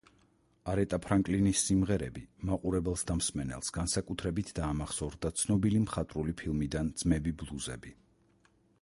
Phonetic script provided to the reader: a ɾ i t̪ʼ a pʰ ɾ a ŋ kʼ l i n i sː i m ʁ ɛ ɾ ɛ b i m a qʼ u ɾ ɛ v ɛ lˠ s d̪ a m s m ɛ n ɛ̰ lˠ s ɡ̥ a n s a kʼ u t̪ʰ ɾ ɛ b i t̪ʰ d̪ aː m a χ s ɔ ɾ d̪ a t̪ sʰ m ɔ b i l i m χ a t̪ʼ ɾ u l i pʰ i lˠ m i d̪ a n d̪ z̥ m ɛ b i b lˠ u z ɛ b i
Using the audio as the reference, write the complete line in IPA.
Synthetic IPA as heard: a ɾ ɛ t̪ʼ a pʰ ɾ a ŋ kʼ l i n i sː i m ʁ ɛ ɾ ɛ b i m a qʼ u ɾ ɛ b ɛ lˠ s d̪ a m s m ɛ n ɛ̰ lˠ s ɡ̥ a n s a kʼ u t̪ʰ ɾ ɛ b i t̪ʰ d̪ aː m a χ s ɔ ɾ d̪ a t̪ sʰ n ɔ b i l i m χ a t̪ʼ ɾ u l i pʰ i lˠ m i d̪ a n d̪ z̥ m ɛ b i b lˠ u z ɛ b i